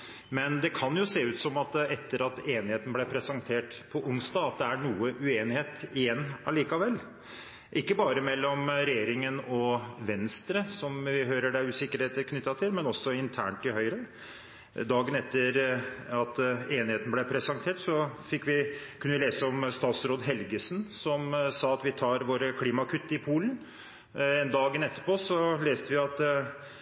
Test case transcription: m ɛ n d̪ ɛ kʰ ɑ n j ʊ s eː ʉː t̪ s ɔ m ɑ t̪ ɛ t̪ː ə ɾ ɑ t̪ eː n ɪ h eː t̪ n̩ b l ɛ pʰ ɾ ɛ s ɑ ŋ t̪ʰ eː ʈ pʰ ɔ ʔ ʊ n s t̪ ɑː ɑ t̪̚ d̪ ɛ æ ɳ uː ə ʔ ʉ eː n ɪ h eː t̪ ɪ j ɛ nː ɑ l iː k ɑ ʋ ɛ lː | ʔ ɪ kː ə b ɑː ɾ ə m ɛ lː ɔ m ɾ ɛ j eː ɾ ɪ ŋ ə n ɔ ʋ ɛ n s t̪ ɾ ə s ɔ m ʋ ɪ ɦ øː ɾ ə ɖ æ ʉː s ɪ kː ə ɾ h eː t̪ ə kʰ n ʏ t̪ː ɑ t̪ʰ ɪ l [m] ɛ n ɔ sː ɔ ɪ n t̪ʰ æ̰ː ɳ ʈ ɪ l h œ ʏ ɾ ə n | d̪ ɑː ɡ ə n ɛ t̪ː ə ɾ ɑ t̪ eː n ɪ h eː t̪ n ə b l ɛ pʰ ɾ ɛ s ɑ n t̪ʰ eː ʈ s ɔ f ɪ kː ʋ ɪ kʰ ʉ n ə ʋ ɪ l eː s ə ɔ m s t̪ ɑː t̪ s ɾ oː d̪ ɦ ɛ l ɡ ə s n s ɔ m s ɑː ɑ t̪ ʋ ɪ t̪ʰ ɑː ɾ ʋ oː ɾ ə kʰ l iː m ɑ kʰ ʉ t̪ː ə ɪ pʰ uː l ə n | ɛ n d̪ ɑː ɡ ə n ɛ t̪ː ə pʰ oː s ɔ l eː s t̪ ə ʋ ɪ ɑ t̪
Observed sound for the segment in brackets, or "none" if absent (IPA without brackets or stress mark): m